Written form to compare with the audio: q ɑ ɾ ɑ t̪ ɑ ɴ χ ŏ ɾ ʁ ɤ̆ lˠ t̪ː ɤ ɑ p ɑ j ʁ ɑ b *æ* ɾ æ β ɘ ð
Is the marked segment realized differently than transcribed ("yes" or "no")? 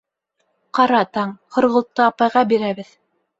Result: yes